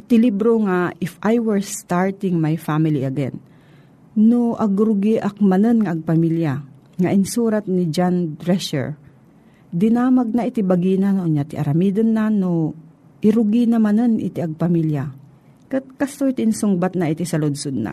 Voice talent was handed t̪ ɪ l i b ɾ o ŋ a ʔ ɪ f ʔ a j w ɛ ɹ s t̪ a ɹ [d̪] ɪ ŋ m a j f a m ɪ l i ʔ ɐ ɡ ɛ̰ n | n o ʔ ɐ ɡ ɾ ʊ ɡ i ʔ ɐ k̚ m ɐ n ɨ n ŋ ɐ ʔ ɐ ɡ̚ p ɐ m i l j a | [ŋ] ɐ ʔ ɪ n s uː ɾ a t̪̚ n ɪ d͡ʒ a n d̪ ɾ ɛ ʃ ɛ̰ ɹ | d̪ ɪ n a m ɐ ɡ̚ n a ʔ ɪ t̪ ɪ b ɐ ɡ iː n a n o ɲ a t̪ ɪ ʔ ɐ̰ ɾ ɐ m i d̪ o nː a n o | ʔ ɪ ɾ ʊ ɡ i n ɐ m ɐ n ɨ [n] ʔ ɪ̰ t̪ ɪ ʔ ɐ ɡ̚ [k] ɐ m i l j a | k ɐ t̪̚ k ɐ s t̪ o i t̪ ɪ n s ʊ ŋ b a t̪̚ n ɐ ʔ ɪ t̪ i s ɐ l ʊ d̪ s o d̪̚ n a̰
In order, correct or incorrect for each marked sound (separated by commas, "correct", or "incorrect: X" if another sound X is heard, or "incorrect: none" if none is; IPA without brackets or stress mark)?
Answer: incorrect: t̪, correct, correct, incorrect: p